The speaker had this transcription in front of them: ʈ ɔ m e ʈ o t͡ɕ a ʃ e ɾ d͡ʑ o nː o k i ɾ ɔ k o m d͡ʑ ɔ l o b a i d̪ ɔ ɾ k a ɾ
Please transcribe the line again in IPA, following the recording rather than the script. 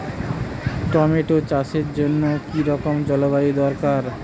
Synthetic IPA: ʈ ɔ m e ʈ o t͡ɕ a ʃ e ɾ d͡ʑ o nː o k i ɾ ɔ k o m d͡ʑ ɔ l o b a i d̪ ɔ ɾ k a ɾ

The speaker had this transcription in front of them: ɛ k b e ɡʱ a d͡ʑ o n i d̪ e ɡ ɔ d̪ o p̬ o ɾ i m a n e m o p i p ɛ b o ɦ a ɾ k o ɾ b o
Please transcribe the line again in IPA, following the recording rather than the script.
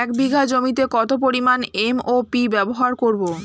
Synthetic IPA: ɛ k b i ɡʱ a d͡ʑ o m i t̪ e k ɔ t̪ o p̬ o ɾ i m a n e m o p i b ɛ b o ɦ a ɾ k o ɾ b o

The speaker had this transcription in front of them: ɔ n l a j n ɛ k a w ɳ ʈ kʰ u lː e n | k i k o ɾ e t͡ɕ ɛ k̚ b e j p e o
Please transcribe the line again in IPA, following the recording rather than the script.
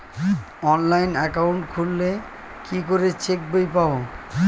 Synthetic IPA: ɔ n l a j n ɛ k a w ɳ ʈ kʰ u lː e | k i k o ɾ e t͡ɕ e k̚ b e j p a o

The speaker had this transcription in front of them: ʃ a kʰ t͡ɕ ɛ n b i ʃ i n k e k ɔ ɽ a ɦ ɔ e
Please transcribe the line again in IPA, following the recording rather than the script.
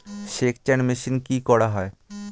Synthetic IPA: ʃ e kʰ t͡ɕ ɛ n m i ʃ i n k i k ɔ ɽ a ɦ ɔ e

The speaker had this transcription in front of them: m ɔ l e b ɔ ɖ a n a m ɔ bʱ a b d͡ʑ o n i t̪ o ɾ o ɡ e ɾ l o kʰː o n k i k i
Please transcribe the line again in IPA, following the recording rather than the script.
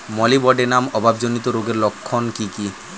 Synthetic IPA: m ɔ l i b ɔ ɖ e n a m ɔ bʱ a b d͡ʑ o n i t̪ o ɾ o ɡ e ɾ l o kʰː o n k i k i

